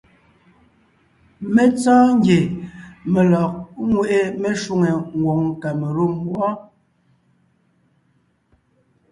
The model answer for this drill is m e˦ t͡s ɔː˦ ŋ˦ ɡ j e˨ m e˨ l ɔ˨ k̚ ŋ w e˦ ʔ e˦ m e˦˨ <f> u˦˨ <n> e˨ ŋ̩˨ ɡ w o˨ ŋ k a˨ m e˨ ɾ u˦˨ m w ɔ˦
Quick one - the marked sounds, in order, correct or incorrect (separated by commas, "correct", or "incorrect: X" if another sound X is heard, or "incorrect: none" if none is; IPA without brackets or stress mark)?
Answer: incorrect: ʃ, incorrect: ŋ